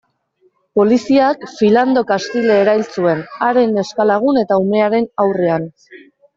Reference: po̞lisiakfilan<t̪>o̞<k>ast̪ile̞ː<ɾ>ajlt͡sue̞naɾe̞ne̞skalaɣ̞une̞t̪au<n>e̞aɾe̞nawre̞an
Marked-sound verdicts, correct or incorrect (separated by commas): incorrect, correct, correct, incorrect